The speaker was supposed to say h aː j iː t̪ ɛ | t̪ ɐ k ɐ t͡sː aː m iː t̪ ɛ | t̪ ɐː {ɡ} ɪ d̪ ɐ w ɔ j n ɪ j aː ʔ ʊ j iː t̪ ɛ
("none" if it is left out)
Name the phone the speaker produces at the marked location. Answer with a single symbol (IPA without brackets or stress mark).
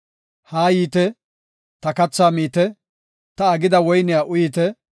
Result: ɡ